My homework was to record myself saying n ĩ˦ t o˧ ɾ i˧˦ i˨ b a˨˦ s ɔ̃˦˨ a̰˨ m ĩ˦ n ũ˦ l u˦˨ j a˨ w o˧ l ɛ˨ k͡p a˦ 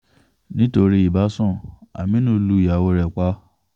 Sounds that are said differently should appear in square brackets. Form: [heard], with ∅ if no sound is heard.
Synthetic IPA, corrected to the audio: n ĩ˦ t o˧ ɾ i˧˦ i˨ b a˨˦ s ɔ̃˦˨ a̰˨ m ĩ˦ n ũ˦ l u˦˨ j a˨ w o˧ [ɾ] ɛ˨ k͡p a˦